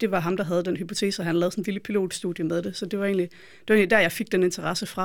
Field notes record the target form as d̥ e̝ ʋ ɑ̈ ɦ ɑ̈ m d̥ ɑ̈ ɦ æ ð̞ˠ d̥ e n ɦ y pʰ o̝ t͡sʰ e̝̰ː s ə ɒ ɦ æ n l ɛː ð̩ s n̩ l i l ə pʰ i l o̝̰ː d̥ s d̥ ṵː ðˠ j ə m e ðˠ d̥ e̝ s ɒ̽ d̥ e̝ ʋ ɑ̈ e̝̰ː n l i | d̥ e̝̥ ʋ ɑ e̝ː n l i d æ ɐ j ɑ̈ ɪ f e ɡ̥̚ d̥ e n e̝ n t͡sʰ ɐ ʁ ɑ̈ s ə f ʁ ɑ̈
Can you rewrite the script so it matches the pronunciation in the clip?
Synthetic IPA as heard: d̥ e̝ ʋ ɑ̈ ɦ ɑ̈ m d̥ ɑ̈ ɦ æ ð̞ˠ d̥ e n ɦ y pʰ o̝ t͡sʰ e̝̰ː s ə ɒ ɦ æ n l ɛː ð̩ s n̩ l i l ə pʰ i l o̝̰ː d̥ s d̥ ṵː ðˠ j ə m e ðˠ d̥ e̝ s ɒ̽ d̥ e̝ ʋ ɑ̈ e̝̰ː n l i | d̥ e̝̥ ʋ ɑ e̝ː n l i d æ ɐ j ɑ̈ ɪ f e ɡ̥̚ d̥ e n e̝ n t͡sʰ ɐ ʁ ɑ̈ s ə f ʁ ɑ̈